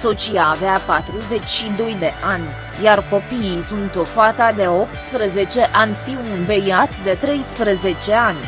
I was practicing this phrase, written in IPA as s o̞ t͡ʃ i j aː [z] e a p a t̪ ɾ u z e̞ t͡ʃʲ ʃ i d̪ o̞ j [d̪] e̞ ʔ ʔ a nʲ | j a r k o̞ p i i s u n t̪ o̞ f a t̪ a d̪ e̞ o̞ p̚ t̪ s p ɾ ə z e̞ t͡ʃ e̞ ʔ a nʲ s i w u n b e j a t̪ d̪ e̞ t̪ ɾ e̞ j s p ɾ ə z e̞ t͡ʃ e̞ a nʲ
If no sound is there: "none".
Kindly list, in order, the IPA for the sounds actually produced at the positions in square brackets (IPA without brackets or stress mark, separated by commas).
v, d̪